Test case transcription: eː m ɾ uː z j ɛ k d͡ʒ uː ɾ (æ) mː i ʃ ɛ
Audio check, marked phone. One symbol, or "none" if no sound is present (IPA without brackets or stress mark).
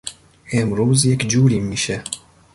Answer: i